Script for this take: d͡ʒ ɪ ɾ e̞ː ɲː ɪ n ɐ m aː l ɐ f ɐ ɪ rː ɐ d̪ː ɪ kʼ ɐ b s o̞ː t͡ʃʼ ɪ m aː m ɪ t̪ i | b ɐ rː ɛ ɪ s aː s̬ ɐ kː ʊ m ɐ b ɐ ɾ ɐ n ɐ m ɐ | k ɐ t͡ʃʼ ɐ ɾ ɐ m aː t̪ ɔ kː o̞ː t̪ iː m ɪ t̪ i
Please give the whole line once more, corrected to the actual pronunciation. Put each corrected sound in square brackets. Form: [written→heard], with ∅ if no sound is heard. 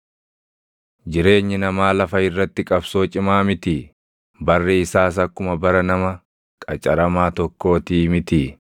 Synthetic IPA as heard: d͡ʒ ɪ ɾ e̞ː ɲː ɪ n ɐ m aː l ɐ f ɐ ɪ rː ɐ [d̪ː→t̪ː] ɪ kʼ ɐ b s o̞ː t͡ʃʼ ɪ m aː m ɪ t̪ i | b ɐ rː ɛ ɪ s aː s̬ ɐ kː ʊ m ɐ b ɐ ɾ ɐ n ɐ m ɐ | [k→kʼ] ɐ t͡ʃʼ ɐ ɾ ɐ m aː t̪ ɔ kː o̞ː t̪ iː m ɪ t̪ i